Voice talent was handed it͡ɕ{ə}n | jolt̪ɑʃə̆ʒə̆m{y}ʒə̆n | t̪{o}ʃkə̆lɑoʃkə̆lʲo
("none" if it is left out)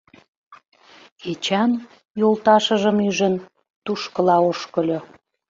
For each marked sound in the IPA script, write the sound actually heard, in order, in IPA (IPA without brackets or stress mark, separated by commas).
ɑ, y, u